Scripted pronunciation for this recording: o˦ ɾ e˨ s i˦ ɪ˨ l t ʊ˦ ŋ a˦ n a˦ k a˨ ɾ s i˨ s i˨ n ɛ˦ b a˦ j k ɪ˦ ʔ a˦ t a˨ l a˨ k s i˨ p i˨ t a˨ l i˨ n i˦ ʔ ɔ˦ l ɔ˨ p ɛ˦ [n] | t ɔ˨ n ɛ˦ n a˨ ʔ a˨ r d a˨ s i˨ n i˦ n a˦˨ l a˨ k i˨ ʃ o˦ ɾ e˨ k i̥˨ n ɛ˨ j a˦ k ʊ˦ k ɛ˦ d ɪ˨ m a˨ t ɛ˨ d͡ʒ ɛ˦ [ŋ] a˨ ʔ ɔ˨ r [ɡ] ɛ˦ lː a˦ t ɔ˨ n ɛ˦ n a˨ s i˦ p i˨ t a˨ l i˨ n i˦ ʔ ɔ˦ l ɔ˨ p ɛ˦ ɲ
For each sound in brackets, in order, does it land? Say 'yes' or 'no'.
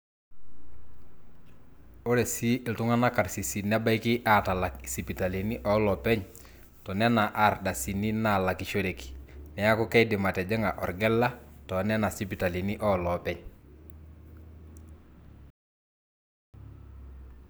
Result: no, yes, yes

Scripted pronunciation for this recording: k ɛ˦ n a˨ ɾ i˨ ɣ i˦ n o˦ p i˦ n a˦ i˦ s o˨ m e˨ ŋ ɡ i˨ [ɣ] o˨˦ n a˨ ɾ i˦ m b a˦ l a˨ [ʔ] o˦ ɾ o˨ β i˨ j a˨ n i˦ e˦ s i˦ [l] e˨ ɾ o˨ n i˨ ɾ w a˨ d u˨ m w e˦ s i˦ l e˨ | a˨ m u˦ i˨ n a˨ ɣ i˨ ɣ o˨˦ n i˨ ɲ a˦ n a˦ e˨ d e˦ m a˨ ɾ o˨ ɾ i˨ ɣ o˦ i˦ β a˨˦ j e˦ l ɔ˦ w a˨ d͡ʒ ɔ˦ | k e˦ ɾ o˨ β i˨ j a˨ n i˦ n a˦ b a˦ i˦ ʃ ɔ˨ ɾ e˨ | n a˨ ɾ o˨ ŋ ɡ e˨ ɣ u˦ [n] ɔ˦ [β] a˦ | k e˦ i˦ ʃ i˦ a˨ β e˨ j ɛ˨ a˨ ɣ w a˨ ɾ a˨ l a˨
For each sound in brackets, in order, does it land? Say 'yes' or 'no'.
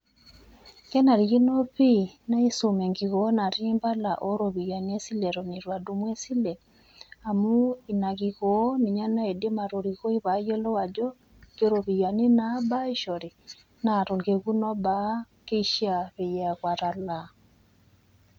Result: yes, yes, yes, yes, no

